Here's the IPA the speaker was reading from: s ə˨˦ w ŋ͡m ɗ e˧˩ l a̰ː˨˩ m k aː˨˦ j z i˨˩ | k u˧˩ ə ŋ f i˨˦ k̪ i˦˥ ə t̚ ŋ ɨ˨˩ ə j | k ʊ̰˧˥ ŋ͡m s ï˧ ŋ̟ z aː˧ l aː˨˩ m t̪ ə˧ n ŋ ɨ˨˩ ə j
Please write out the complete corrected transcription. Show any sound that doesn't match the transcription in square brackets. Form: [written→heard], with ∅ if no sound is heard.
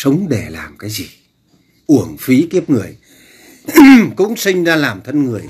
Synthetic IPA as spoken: s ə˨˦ w ŋ͡m ɗ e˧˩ l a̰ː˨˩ m k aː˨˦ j z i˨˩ | [k→ʔ] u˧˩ ə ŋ f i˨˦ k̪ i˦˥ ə [t̚→p̚] ŋ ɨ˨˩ ə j | k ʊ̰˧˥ ŋ͡m s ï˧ ŋ̟ z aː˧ l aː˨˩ m [t̪→t̪ʰ] ə˧ n ŋ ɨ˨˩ ə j